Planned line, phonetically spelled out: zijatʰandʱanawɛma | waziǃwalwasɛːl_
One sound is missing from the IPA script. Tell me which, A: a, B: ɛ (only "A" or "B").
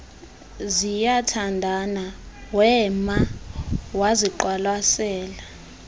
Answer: A